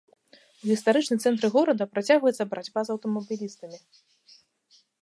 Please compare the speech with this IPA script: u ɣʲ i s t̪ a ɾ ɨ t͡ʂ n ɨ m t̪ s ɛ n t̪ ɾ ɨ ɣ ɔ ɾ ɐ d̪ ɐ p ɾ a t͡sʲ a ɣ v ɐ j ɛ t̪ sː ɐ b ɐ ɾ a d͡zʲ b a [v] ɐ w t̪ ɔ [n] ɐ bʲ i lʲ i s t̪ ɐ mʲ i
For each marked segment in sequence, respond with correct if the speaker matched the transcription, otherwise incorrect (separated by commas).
incorrect, incorrect